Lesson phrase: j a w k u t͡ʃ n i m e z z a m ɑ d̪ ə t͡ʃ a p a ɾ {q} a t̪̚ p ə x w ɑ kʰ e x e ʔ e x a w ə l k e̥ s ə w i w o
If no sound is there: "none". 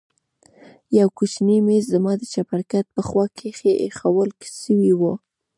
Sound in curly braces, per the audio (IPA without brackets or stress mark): k